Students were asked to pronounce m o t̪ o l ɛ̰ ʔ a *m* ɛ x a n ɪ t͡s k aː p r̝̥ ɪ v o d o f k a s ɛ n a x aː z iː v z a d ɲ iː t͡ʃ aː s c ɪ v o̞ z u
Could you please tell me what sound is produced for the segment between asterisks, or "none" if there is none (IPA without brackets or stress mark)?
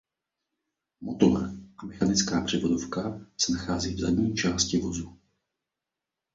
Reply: m